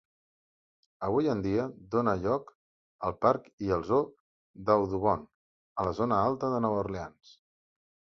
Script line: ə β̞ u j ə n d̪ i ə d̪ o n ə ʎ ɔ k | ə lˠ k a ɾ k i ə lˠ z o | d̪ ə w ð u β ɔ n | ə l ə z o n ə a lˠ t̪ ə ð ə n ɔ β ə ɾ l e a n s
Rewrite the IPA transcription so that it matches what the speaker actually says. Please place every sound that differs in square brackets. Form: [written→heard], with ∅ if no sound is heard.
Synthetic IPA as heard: ə β̞ u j ə n d̪ i ə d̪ o n ə ʎ ɔ k | ə lˠ [k→p] a ɾ k i ə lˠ z o | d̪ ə w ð u β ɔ n | ə l ə z o n ə a lˠ t̪ ə ð ə n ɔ β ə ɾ l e a n s